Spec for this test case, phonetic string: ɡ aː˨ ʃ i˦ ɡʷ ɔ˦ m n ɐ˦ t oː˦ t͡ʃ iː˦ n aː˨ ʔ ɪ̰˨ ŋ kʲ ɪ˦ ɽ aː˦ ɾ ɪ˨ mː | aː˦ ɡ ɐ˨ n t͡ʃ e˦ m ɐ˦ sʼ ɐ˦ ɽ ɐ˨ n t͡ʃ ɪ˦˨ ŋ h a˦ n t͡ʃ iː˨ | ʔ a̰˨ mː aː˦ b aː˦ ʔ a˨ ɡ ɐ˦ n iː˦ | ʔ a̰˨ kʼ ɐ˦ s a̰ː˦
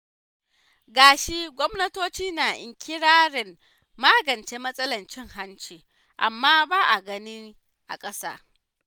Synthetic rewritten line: ɡ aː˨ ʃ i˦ ɡʷ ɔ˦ m n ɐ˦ t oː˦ t͡ʃ iː˦ n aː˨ ʔ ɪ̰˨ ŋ kʲ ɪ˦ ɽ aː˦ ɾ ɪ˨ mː | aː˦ ɡ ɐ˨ n t͡ʃ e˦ m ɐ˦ sʼ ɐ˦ l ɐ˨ n t͡ʃ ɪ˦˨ ŋ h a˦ n t͡ʃ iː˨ | ʔ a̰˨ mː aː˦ b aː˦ ʔ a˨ ɡ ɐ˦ n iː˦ | ʔ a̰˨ kʼ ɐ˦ s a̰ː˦